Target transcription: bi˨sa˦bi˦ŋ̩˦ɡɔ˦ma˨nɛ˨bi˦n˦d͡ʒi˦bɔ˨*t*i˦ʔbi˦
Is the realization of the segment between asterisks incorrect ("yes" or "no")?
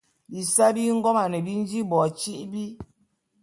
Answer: yes